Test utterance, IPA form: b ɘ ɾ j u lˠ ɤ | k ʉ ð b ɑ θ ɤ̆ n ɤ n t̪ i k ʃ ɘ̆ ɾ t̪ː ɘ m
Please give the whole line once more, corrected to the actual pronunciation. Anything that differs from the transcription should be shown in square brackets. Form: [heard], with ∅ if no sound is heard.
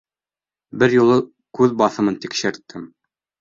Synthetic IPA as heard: b ɘ ɾ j u lˠ ɤ | k ʉ ð b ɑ θ ɤ̆ [m] ɤ n t̪ i k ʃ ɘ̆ ɾ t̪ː ɘ m